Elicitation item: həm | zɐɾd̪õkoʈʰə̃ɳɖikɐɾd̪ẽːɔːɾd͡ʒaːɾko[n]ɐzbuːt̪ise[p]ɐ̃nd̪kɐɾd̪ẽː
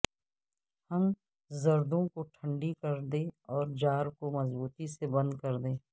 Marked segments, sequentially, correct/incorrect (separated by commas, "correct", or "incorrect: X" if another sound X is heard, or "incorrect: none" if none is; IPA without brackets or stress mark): incorrect: m, incorrect: b